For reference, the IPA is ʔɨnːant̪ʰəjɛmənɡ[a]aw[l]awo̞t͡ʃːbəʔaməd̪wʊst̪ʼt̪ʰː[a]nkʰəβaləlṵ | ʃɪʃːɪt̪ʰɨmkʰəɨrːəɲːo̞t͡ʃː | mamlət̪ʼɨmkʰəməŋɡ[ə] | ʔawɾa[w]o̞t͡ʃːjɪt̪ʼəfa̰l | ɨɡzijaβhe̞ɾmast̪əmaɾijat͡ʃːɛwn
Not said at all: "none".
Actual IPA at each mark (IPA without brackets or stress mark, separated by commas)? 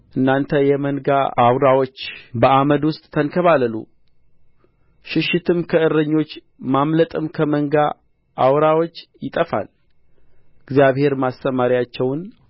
a, ɾ, ə, a, w